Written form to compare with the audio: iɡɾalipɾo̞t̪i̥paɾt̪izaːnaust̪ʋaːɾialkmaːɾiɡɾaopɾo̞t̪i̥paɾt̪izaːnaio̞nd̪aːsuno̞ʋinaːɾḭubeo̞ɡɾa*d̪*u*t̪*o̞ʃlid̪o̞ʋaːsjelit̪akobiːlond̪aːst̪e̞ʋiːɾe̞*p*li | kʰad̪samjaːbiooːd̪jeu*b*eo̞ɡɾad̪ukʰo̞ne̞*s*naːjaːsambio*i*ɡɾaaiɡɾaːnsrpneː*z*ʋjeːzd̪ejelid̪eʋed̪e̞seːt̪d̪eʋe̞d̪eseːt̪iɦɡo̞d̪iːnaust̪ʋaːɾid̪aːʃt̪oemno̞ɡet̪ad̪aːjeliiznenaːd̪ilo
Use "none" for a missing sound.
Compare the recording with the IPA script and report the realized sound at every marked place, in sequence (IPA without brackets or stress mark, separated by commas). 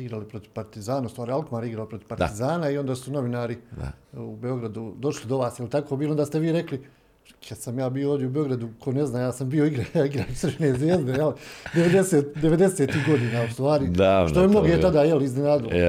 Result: d̪, d̪, k, b, z, i, z